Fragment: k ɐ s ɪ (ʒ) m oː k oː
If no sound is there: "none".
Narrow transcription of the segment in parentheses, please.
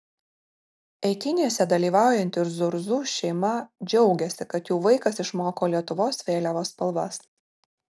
ʃ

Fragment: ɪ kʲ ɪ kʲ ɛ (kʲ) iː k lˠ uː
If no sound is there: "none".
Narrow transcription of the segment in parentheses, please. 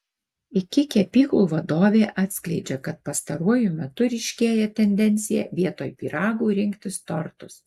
pʲ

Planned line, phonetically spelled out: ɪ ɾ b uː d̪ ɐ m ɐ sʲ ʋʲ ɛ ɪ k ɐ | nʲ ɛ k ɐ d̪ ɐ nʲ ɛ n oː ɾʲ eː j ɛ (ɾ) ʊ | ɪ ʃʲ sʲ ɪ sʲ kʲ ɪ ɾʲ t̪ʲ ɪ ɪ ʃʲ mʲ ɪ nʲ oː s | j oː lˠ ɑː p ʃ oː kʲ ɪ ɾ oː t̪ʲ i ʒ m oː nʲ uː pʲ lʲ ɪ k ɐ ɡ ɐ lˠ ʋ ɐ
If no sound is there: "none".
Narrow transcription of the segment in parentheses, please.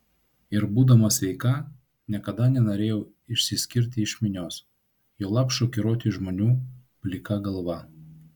none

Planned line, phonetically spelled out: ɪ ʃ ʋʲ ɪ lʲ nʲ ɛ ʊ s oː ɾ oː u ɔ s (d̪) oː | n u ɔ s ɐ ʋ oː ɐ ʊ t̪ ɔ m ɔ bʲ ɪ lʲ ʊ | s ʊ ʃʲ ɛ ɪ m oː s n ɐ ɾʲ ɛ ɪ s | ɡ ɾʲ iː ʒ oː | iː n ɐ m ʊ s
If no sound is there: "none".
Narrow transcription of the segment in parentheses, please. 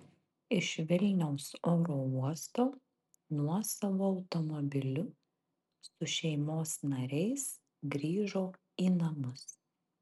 t̪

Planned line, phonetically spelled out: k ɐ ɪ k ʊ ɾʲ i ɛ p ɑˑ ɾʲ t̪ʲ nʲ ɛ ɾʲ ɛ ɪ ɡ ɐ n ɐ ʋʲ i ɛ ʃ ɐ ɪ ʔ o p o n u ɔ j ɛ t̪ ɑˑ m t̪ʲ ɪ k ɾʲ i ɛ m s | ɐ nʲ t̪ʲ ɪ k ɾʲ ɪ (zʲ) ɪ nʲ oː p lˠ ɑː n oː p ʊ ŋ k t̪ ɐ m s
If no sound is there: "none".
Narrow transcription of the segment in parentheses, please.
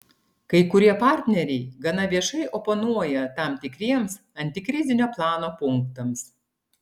zʲ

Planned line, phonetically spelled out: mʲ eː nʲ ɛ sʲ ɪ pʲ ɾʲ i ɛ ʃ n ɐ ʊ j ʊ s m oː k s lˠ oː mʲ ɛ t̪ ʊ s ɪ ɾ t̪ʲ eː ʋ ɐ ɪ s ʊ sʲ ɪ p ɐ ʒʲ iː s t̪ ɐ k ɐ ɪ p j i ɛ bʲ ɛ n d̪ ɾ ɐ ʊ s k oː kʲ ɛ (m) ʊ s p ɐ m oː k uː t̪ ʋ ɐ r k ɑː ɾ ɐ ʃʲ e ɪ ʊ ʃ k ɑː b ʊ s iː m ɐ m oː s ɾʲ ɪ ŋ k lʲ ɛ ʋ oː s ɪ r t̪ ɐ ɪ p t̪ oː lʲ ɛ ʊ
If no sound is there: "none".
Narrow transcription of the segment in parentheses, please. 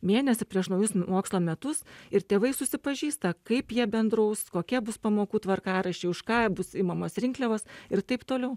b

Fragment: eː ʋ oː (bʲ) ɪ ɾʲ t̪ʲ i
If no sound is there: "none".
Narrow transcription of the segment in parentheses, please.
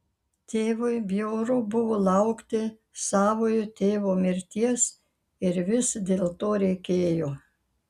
mʲ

